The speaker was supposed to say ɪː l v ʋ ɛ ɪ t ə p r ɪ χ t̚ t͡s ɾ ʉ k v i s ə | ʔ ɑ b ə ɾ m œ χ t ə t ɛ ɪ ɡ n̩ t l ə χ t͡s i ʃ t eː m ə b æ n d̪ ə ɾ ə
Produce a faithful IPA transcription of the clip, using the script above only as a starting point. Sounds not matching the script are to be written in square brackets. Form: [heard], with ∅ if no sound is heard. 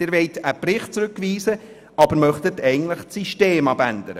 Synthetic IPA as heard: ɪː [ɾ] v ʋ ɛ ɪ t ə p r ɪ χ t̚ t͡s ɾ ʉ k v [iː] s ə | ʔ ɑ b ə ɾ m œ χ t ə t ɛ ɪ ɡ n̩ t l ə χ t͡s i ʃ t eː m [ɑ] b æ n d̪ ə ɾ ə